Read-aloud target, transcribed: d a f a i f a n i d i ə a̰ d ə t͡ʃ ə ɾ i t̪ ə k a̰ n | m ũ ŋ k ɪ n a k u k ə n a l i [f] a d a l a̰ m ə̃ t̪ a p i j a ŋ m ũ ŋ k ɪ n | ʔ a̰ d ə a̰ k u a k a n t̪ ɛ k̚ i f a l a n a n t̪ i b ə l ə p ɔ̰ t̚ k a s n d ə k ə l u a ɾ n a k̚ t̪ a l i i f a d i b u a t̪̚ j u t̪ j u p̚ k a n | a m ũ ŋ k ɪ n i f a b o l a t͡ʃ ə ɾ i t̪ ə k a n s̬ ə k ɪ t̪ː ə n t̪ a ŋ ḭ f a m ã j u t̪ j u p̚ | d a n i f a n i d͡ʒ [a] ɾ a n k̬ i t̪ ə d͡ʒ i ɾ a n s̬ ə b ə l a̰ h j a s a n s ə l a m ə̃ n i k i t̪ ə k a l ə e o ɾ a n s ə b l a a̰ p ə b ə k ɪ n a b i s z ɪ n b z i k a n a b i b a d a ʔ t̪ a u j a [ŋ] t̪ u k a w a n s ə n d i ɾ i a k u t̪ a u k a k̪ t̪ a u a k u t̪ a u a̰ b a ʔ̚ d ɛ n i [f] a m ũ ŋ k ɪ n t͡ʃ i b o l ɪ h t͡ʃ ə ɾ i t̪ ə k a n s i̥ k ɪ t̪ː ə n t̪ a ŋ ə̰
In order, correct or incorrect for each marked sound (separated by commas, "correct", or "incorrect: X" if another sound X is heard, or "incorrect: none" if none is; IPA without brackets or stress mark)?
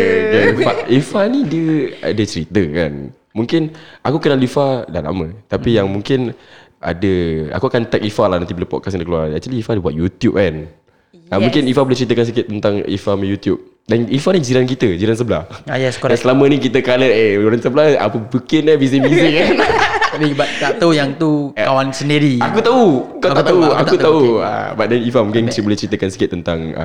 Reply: correct, incorrect: i, correct, correct